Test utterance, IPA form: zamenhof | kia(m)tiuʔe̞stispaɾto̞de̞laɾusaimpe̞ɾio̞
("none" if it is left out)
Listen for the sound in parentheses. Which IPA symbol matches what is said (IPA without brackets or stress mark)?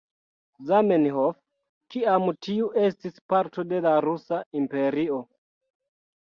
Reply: m